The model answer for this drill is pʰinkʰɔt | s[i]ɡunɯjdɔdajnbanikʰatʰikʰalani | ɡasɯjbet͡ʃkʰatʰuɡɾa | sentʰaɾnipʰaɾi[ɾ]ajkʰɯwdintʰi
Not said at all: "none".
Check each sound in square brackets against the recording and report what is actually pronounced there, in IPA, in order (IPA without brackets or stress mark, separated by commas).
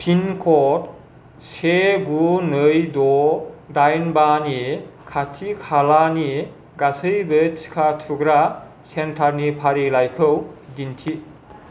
e, l